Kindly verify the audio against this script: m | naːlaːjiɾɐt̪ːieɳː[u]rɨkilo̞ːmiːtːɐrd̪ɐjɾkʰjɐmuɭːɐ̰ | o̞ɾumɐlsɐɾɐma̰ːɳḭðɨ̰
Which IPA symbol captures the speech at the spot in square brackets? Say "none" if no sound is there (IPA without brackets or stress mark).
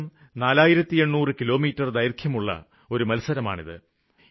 uː